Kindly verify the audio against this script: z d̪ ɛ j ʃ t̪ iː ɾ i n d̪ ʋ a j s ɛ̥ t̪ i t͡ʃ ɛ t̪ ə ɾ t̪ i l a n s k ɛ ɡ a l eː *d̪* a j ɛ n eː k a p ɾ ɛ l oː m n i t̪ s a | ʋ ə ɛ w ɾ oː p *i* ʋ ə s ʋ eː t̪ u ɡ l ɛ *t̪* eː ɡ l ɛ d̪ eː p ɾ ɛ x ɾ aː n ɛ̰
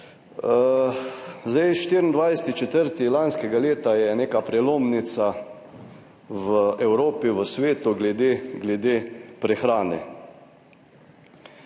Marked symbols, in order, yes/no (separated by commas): no, yes, no